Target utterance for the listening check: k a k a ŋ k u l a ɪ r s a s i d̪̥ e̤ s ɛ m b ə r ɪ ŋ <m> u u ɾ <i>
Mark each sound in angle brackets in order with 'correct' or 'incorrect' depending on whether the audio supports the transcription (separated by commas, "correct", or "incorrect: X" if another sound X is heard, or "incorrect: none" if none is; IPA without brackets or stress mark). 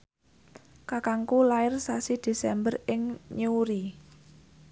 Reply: incorrect: ɲ, correct